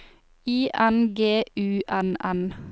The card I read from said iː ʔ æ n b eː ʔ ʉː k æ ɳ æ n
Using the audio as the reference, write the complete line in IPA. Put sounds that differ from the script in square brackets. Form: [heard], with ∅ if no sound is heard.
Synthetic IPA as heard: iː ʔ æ n [ɡ] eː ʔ ʉː [ʔ] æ [n] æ n